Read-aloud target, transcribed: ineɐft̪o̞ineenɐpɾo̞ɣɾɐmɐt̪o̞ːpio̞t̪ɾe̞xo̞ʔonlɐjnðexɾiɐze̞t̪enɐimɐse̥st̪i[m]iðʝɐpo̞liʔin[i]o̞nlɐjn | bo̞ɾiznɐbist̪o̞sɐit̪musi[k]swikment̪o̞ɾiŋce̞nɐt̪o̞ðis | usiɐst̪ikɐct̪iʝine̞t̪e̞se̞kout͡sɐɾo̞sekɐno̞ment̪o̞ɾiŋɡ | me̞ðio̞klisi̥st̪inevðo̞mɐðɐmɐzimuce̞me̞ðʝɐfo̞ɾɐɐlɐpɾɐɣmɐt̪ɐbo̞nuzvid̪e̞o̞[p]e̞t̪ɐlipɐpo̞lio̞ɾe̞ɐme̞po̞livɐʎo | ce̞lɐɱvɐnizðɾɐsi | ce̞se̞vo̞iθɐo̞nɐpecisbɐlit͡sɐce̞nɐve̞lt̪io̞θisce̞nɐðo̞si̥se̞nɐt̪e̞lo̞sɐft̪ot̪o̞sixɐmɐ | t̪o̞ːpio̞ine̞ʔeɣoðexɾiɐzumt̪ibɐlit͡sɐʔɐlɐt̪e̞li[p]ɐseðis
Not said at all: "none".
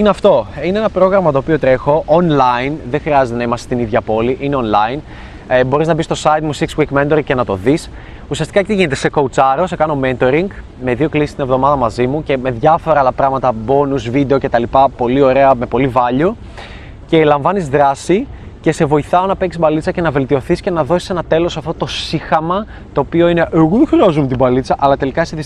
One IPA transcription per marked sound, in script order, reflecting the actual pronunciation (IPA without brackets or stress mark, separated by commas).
n, e, k, c, k